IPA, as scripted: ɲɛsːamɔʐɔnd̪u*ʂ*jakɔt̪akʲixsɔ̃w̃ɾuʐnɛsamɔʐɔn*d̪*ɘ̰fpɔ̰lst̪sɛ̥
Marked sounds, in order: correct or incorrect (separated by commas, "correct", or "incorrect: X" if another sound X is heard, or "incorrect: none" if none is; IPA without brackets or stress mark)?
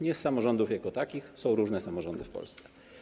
incorrect: f, correct